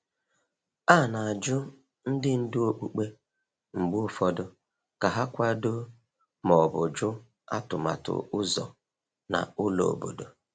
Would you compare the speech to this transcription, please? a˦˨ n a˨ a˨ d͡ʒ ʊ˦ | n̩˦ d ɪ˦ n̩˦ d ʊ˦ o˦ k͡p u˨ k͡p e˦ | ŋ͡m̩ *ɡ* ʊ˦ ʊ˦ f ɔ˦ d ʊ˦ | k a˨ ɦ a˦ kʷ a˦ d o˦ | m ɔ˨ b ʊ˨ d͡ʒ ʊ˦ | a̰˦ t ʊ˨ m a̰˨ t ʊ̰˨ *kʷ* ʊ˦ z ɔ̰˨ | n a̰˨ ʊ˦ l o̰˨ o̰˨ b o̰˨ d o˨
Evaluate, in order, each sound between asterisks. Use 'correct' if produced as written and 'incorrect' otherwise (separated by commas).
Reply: incorrect, incorrect